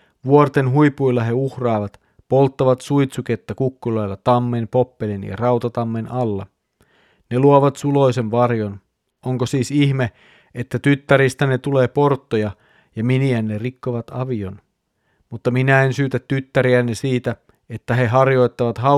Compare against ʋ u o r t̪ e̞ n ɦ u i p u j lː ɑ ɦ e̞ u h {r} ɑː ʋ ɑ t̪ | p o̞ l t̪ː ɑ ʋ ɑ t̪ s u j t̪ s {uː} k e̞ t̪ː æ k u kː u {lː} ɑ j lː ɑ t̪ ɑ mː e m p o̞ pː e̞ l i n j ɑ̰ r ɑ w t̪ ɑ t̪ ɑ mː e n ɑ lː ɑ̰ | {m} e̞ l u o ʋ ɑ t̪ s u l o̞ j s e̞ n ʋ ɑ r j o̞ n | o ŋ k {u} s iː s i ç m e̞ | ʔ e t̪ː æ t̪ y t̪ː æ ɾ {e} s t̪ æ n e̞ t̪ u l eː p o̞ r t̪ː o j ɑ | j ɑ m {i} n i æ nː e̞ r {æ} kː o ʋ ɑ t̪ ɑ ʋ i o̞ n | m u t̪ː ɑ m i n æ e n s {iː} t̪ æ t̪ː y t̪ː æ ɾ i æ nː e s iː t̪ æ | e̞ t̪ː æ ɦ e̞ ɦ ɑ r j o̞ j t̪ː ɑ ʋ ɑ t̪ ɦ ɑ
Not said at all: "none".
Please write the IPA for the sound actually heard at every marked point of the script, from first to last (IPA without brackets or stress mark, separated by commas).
r, u, l, n, o, i, i, i, yː